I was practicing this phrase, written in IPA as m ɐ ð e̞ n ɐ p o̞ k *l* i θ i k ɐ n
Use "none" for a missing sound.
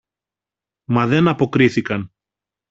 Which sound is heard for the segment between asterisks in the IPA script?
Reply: ɾ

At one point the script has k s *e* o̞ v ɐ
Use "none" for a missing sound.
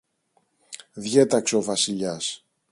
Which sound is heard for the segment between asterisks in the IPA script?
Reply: e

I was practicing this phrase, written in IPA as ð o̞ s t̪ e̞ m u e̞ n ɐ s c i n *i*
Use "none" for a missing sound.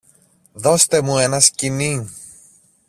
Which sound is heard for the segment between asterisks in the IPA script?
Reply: i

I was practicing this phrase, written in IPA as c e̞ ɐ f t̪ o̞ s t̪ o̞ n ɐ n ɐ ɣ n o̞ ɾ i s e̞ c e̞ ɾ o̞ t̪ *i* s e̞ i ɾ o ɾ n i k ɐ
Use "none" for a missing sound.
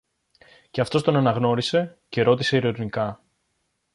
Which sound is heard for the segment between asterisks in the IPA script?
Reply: i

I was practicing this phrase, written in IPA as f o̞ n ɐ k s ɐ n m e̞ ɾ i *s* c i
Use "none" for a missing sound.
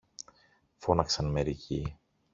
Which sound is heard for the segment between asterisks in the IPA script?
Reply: none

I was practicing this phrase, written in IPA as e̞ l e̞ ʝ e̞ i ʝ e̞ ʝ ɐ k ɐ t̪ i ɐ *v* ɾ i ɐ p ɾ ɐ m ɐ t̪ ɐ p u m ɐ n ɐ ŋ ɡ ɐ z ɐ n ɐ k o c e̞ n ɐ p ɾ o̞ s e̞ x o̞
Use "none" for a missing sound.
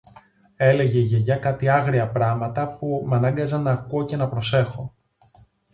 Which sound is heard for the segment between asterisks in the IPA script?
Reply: ɣ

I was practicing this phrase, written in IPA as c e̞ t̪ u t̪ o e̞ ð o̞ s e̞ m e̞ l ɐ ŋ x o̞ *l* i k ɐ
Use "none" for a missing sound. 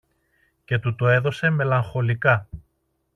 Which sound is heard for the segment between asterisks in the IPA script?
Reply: l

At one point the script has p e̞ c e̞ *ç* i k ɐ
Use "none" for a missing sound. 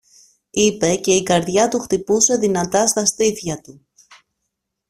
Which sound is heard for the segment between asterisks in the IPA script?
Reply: none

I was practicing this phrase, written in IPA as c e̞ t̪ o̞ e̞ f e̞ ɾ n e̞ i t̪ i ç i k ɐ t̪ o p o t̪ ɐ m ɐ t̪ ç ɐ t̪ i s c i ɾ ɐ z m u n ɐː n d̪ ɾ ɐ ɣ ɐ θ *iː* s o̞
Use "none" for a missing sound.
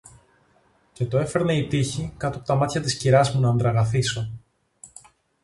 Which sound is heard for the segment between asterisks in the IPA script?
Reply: i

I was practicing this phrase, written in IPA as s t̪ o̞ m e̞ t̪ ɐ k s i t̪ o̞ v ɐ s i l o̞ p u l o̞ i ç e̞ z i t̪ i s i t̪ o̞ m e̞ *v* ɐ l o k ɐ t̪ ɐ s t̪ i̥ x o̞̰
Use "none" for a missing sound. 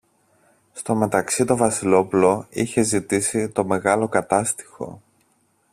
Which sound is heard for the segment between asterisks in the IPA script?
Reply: ɣ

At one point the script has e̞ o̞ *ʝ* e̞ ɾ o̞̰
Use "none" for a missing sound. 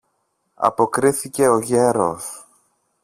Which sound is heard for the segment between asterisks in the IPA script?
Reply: ʝ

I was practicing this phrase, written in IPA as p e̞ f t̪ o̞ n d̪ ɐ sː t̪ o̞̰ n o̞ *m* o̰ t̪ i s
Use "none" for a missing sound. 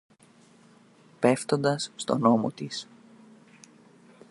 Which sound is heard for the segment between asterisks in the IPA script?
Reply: m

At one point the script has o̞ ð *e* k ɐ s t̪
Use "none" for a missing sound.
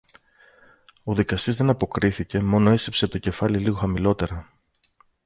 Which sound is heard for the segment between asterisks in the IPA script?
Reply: i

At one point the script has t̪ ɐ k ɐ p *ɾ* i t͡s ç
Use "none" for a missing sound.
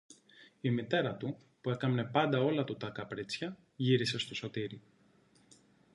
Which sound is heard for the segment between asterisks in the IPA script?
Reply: ɾ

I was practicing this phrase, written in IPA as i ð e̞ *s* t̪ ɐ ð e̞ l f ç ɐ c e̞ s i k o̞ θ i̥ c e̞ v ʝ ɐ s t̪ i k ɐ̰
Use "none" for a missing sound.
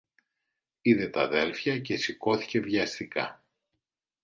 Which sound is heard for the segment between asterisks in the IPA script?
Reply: none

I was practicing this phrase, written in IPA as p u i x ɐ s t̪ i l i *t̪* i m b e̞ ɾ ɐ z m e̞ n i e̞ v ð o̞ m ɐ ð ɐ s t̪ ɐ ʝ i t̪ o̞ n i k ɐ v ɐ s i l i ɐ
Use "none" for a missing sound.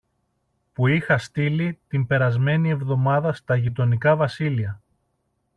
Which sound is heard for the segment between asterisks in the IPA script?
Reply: t̪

